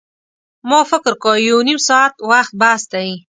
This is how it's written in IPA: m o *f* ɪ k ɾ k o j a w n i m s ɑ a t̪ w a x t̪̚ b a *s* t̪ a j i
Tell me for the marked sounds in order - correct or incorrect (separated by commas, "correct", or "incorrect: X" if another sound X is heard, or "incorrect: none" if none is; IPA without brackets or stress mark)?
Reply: correct, correct